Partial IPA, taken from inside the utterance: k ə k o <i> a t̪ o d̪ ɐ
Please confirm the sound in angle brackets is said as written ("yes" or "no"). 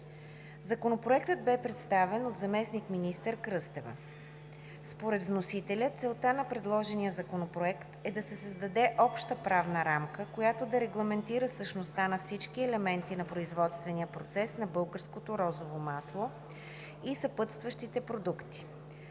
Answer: no